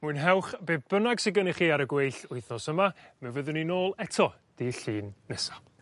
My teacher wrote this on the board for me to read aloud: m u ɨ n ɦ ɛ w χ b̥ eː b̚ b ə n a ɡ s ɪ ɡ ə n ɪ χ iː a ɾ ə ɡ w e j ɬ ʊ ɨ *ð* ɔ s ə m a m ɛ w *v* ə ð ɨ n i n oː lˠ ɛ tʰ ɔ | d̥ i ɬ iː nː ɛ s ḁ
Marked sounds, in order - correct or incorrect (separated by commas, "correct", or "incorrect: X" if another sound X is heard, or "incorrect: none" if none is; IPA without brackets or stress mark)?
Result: incorrect: θ, correct